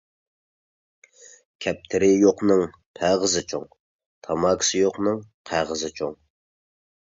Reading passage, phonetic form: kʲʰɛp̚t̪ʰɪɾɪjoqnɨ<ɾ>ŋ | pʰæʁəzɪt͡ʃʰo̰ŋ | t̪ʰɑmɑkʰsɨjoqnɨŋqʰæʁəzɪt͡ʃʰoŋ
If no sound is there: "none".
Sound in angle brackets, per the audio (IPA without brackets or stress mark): none